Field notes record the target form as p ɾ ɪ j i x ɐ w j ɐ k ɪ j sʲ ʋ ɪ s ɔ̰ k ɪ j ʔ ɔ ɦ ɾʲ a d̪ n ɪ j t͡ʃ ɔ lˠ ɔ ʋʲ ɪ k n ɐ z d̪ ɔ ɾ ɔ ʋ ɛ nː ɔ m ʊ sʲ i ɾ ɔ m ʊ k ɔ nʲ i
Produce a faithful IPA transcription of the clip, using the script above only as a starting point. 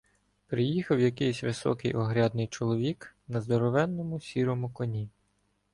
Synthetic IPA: p ɾ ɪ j i x ɐ w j ɐ k ɪ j sʲ ʋ ɪ s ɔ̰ k ɪ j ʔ ɔ ɦ ɾʲ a d̪ n ɪ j t͡ʃ ɔ lˠ ɔ ʋʲ i k n ɐ z d̪ ɔ ɾ ɔ ʋ ɛ nː ɔ m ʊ sʲ i ɾ ɔ m ʊ k ɔ nʲ i